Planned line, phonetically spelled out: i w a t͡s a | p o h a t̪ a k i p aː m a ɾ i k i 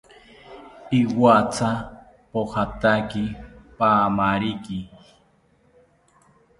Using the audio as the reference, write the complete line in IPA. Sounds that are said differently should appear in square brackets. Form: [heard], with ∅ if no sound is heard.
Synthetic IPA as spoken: i w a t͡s a | p o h a t̪ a k i p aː m a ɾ i k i